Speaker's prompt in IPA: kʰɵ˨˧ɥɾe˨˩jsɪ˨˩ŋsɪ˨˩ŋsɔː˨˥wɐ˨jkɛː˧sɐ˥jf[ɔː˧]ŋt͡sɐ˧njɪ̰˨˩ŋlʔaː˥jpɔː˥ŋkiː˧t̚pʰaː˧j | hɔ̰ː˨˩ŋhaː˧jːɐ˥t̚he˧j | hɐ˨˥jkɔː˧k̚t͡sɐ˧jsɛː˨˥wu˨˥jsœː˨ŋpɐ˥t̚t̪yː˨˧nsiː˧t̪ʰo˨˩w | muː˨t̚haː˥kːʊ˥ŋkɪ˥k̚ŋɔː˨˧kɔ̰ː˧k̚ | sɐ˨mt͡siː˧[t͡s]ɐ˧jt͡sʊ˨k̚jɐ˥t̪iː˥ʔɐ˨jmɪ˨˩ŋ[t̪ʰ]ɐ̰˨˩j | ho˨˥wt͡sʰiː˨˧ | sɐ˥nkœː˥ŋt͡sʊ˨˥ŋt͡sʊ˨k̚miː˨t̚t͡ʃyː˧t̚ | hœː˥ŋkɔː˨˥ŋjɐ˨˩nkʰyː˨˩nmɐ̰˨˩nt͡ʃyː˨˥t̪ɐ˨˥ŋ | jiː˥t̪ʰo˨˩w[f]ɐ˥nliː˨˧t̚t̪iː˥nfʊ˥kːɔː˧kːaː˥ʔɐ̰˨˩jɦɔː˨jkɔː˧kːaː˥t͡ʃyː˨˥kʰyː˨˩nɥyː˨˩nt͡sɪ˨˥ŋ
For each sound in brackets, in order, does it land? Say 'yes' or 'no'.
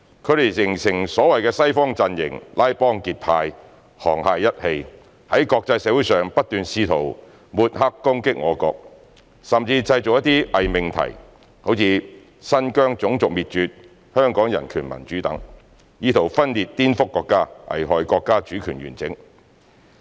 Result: no, yes, yes, yes

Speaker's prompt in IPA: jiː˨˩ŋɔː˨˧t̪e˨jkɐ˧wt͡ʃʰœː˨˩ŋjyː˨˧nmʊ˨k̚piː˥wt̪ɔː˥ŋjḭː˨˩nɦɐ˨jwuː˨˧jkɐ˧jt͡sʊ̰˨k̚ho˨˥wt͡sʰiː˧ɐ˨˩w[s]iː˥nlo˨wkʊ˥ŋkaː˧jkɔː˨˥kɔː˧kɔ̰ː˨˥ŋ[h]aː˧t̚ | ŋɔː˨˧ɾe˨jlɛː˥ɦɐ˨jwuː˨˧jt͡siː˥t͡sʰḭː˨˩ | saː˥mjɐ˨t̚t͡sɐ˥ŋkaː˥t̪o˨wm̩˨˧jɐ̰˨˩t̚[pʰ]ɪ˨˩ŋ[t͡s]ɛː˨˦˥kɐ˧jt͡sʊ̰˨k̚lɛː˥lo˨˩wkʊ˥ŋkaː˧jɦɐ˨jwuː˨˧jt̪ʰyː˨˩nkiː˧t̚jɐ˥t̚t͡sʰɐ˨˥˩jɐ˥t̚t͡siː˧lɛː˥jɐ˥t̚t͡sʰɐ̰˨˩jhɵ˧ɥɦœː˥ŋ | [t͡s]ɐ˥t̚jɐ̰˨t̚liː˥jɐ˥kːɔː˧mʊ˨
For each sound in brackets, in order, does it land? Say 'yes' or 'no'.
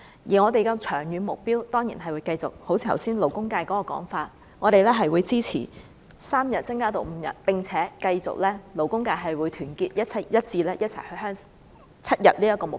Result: yes, no, no, no, no

